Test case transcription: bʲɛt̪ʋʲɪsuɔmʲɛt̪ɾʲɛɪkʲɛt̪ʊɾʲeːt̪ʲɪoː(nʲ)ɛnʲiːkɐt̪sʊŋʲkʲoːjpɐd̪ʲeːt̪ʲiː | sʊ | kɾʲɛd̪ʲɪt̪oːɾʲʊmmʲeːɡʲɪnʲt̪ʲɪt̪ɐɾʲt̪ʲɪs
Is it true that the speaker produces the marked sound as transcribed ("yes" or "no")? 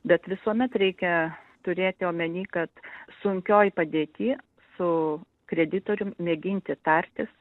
no